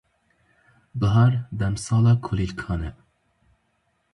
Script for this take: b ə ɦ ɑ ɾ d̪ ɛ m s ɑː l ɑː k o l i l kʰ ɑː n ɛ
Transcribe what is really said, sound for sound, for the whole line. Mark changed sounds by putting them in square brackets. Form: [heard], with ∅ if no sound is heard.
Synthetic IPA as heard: b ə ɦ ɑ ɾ d̪ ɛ m s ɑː l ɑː [kʰ] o l i l kʰ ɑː n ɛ